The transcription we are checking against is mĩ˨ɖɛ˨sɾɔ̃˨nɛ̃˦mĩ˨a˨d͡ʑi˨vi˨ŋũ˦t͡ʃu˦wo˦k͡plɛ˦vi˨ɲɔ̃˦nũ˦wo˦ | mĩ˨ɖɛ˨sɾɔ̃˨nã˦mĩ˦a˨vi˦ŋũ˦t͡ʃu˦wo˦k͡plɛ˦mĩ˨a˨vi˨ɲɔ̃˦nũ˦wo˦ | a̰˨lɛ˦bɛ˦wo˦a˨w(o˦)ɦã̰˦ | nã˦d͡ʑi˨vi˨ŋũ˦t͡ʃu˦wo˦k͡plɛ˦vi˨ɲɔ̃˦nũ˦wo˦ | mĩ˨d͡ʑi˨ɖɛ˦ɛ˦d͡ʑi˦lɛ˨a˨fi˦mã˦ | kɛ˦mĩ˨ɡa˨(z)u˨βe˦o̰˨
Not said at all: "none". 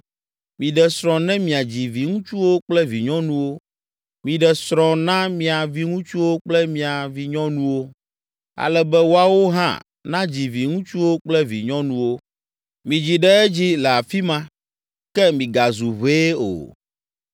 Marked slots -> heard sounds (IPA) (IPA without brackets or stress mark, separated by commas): o˦, z